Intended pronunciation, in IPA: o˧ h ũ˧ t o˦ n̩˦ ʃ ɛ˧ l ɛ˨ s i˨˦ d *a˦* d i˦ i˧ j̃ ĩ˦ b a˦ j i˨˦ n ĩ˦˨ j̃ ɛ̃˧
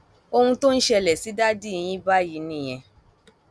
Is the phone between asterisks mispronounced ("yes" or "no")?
no